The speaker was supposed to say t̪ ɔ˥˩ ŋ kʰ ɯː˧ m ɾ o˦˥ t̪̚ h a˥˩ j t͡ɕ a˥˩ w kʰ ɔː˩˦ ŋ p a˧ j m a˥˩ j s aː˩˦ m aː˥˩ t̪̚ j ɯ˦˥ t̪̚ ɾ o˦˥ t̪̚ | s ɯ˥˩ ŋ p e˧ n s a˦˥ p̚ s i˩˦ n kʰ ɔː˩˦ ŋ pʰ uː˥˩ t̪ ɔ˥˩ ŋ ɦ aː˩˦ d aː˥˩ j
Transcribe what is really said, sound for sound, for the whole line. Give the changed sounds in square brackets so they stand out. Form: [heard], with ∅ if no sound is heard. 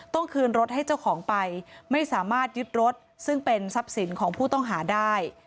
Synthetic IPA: t̪ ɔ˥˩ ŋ kʰ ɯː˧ [n] ɾ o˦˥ t̪̚ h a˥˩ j t͡ɕ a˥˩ w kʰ ɔː˩˦ ŋ p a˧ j m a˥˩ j s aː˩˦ m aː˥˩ t̪̚ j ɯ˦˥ t̪̚ ɾ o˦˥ t̪̚ | s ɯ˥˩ ŋ p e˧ n s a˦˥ p̚ s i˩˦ n kʰ ɔː˩˦ ŋ pʰ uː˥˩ t̪ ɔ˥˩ ŋ ɦ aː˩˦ d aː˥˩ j